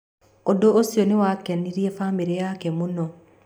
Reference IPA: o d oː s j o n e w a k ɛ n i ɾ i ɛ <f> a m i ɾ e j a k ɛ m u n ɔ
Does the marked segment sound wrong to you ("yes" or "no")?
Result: no